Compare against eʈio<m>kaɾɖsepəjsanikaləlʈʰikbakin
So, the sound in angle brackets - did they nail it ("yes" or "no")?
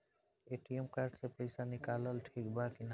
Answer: yes